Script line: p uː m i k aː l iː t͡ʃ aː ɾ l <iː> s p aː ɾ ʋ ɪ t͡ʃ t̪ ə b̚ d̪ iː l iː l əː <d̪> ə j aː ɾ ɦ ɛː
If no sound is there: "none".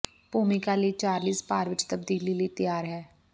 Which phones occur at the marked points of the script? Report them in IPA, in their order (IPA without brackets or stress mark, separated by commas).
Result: iː, t̪